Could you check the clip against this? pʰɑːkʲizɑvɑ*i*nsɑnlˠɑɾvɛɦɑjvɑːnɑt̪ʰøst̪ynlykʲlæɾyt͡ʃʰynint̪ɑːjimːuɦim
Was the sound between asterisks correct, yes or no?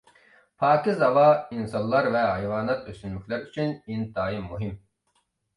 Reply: yes